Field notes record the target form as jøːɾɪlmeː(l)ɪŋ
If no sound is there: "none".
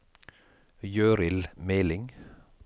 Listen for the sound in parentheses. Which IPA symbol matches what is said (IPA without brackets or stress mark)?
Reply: l